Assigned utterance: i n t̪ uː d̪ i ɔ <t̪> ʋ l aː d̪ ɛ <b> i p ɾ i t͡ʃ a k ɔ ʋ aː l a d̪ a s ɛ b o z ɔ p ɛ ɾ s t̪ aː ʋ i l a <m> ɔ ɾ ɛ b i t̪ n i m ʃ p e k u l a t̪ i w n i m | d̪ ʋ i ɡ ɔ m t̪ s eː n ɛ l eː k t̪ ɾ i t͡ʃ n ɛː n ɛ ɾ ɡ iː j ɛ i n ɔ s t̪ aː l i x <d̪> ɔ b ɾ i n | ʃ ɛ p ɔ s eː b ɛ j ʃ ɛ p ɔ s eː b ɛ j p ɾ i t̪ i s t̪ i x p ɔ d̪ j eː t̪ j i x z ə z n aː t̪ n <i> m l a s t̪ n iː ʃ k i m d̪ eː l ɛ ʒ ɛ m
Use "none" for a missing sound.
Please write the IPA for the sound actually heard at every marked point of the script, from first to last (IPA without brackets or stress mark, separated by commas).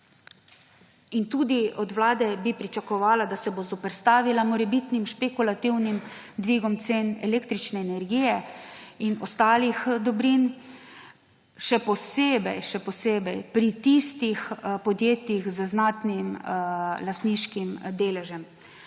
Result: d̪, b, m, d̪, i